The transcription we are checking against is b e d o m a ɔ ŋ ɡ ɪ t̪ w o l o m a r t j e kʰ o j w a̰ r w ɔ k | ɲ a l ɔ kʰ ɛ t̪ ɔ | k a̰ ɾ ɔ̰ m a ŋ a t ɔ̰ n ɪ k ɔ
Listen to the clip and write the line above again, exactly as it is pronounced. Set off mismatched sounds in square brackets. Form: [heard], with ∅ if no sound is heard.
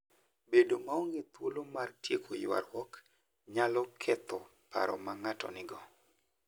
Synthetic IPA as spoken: b e d o m a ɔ ŋ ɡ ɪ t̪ w o l o m a r t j e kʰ o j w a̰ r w ɔ k | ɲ a l ɔ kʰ ɛ t̪ ɔ | [p] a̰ ɾ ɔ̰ m a ŋ a t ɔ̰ n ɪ [ɡ] ɔ

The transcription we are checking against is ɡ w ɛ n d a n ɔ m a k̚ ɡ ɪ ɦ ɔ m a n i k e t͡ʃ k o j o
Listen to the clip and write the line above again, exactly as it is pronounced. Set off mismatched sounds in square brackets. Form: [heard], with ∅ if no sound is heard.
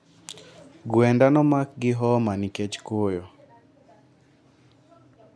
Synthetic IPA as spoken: ɡ w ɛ n d a n ɔ m a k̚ ɡ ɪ ɦ ɔ m a n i k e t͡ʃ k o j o

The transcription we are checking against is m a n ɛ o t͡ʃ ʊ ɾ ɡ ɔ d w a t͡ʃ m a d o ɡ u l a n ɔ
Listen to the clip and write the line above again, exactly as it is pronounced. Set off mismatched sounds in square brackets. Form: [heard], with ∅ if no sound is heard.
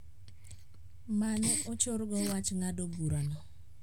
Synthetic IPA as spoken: m a n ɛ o t͡ʃ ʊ ɾ ɡ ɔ [∅] w a t͡ʃ [ŋ] a d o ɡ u [ɾ] a n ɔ

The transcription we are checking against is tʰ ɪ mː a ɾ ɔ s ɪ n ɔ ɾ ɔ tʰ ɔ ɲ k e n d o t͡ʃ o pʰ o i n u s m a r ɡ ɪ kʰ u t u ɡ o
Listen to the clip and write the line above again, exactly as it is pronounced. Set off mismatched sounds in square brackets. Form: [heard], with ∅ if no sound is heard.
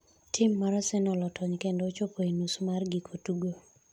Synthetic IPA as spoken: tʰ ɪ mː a ɾ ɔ s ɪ n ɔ [l] ɔ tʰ ɔ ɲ k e n d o t͡ʃ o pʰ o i n u s m a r ɡ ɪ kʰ [o] t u ɡ o

